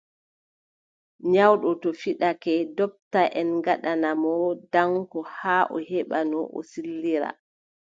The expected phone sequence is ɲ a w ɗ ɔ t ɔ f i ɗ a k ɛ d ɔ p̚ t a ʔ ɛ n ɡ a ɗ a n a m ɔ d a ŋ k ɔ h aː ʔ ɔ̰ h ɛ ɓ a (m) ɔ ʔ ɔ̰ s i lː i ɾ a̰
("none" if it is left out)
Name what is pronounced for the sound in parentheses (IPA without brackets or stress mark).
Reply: n